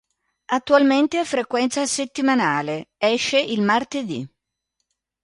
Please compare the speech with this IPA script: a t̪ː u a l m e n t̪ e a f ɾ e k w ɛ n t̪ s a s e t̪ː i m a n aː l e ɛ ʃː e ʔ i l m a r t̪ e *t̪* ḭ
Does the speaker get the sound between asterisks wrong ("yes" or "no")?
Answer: yes